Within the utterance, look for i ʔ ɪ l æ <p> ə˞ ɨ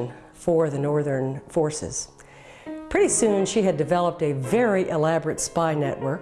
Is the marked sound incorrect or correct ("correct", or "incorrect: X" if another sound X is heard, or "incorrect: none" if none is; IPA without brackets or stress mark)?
incorrect: b